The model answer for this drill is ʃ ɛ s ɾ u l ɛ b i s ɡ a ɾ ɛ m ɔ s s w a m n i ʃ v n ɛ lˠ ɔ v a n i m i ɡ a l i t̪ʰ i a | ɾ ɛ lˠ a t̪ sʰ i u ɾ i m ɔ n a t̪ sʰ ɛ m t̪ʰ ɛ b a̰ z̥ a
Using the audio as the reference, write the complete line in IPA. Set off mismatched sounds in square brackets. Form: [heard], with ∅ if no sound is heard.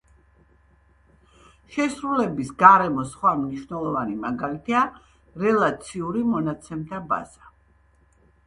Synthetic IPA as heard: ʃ ɛ s ɾ u l ɛ b i s ɡ a ɾ ɛ m ɔ s [χ] w a m n i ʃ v n ɛ lˠ ɔ v a n i m [a] ɡ a l i t̪ʰ i a | ɾ ɛ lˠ a t̪ sʰ i u ɾ i m ɔ n a t̪ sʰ ɛ m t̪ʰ [a] b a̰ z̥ a